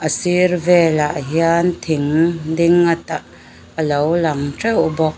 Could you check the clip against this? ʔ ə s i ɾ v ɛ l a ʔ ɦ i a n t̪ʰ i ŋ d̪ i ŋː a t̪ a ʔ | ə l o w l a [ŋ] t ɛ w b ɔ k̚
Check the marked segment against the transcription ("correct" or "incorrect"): correct